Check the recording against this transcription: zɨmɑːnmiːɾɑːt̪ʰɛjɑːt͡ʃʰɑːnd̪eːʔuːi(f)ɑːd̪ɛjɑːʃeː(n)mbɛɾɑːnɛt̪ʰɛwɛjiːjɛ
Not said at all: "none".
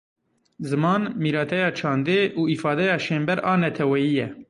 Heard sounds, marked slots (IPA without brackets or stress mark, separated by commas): f, none